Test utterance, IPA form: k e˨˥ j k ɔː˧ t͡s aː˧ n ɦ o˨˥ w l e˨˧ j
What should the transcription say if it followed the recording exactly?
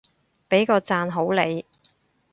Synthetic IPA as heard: p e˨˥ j k ɔː˧ t͡s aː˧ n ɦ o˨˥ w l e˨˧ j